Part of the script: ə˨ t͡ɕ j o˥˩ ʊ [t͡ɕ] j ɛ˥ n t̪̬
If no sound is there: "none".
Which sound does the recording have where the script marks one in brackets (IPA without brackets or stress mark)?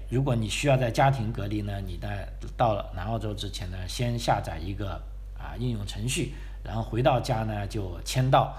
t͡ɕʰ